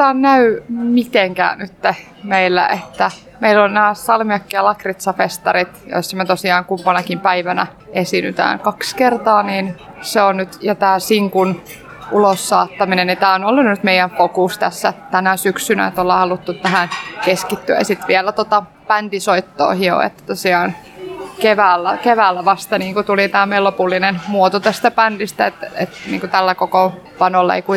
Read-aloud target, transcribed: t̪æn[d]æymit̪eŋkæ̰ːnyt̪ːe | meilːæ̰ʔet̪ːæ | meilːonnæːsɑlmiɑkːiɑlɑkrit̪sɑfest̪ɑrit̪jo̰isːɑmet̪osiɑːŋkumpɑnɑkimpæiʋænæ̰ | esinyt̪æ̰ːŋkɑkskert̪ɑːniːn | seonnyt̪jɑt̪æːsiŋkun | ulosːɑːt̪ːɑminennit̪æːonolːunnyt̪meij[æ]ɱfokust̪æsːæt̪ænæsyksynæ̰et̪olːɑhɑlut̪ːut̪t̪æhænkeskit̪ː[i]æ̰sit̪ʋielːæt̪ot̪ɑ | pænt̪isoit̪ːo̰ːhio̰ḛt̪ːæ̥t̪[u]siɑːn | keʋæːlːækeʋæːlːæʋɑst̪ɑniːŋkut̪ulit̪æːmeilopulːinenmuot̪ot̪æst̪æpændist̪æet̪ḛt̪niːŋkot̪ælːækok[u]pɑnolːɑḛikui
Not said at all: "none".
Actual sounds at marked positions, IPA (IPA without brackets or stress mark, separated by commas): n, æ, y, o, o